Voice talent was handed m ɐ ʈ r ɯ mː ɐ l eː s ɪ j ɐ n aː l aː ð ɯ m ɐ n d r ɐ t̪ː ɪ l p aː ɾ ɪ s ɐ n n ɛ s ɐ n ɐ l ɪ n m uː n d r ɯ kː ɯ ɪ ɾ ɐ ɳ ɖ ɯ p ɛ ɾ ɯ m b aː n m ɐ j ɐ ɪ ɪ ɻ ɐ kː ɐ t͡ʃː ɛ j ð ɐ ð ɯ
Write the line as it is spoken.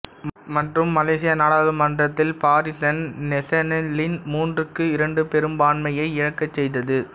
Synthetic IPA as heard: m ɐ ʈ r ɯ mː ɐ l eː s ɪ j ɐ n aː ɽ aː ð ɯ m ɐ n d r ɐ t̪ː ɪ l p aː ɾ ɪ s ɐ n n ɛ s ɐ n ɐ l ɪ n m uː n d r ɯ kː ɯ ɪ ɾ ɐ ɳ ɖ ɯ p ɛ ɾ ɯ m b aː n m ɐ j ɐ ɪ ɪ ɻ ɐ kː ɐ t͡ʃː ɛ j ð ɐ ð ɯ